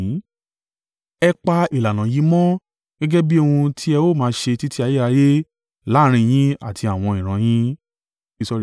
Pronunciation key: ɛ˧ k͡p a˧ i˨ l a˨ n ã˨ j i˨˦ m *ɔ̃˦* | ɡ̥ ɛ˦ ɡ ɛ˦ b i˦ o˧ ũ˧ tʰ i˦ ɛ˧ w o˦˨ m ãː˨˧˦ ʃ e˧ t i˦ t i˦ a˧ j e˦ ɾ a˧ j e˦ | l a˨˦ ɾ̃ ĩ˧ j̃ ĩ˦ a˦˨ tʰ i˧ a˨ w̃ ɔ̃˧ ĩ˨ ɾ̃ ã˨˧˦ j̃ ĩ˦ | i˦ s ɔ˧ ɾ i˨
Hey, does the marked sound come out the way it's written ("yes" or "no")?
yes